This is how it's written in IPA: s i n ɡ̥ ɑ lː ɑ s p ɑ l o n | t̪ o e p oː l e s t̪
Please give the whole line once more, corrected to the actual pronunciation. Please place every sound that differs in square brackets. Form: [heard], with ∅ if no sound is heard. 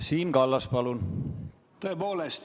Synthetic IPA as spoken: s [iː] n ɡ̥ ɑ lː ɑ s p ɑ l [u] n | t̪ o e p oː l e s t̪